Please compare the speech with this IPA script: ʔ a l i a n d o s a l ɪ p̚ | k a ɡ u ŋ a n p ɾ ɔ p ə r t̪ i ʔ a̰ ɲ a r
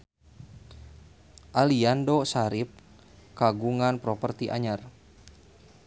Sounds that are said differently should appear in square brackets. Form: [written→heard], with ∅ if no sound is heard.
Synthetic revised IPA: ʔ a l i a n d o s a [l→ɾ] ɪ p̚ | k a ɡ u ŋ a n p ɾ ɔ p ə r t̪ i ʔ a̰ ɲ a r